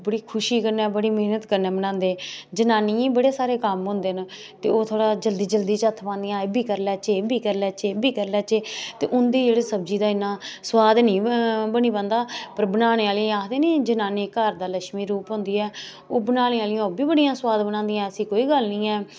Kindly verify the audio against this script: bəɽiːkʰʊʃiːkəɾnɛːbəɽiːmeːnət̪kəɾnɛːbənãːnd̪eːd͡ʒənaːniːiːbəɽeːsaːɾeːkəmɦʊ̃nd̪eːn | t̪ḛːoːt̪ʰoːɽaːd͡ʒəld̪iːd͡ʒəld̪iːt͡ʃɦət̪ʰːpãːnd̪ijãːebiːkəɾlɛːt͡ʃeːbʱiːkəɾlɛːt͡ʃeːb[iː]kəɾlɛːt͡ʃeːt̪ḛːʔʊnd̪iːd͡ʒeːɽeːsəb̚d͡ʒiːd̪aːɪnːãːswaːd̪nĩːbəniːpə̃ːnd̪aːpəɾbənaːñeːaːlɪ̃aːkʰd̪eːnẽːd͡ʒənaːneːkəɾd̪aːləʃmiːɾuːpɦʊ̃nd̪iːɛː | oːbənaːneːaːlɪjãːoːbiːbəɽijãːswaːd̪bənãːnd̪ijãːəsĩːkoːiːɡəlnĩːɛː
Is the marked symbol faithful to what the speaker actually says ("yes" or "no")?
yes